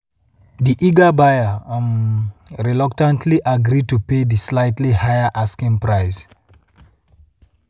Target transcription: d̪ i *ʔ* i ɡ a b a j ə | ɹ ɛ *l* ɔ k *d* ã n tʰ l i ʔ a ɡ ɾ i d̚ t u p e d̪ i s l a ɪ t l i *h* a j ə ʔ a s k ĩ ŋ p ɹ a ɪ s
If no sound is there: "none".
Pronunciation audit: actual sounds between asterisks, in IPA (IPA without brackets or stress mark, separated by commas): ʔ, l, t, h